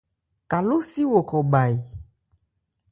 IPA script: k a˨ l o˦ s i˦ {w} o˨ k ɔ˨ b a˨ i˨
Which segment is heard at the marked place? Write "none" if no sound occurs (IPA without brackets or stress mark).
w